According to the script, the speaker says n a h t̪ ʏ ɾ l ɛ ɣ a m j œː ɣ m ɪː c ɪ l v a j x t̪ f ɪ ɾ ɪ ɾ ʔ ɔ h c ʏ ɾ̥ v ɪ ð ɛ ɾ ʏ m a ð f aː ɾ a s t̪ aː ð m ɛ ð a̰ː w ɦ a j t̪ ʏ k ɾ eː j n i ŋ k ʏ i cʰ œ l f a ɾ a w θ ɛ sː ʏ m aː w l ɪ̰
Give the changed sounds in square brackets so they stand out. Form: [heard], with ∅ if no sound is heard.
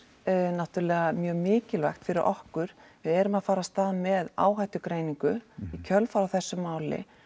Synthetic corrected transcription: n a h t̪ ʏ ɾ l ɛ ɣ a m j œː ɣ m ɪː c ɪ l v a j x t̪ f ɪ ɾ ɪ ɾ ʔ ɔ h [k] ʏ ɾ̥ v ɪ ð ɛ ɾ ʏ m a ð f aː ɾ a s t̪ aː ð m ɛ ð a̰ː w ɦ a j t̪ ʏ k ɾ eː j n i ŋ k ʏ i cʰ œ l f a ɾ a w θ ɛ sː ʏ m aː w l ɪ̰